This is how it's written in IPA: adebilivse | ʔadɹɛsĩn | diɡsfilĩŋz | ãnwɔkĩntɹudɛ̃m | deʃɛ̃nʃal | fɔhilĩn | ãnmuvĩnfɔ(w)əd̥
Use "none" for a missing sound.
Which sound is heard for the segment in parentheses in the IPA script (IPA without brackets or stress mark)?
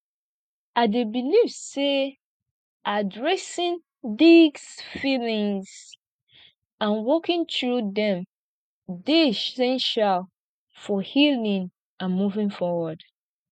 w